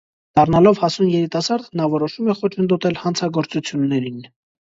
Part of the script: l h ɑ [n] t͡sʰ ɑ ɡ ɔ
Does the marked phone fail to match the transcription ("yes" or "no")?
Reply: no